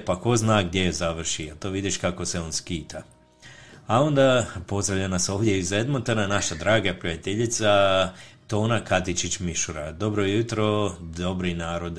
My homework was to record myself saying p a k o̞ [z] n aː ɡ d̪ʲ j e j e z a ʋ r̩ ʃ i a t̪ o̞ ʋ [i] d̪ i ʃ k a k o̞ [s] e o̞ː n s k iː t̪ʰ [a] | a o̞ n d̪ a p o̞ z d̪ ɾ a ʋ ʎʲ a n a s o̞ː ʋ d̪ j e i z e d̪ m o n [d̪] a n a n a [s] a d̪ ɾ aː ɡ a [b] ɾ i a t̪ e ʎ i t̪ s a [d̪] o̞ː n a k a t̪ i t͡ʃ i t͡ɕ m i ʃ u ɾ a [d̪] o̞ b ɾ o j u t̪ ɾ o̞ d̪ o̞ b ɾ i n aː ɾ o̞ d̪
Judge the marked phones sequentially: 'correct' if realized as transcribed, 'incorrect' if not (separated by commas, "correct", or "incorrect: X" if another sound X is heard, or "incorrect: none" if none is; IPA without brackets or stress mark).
correct, correct, correct, correct, incorrect: t̪, incorrect: ʃ, incorrect: p, incorrect: t̪, correct